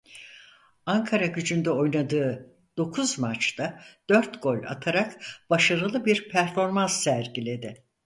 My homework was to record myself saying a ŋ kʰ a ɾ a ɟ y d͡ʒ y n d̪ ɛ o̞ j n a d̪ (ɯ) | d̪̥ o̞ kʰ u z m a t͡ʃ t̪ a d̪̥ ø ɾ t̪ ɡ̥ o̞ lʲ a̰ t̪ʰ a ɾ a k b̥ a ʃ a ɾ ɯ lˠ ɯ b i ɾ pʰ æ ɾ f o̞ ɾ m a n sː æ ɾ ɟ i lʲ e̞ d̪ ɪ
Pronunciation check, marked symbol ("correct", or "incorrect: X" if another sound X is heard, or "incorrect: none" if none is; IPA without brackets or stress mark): incorrect: ɯː